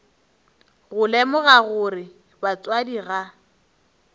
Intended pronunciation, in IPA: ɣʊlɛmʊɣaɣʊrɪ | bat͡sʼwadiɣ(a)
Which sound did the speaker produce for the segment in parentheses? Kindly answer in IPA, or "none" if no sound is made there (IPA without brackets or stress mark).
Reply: a